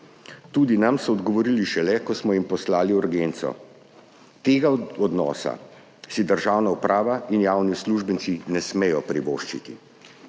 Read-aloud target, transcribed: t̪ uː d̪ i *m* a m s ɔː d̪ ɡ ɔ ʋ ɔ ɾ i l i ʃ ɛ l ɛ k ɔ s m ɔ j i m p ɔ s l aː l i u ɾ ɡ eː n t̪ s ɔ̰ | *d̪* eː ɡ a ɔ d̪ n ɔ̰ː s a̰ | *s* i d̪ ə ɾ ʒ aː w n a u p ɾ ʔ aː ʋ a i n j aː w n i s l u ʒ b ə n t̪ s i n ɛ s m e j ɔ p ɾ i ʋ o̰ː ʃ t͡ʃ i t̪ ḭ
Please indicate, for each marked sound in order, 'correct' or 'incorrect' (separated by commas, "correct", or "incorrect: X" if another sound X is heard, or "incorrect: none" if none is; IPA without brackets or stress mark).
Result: incorrect: n, incorrect: t̪, correct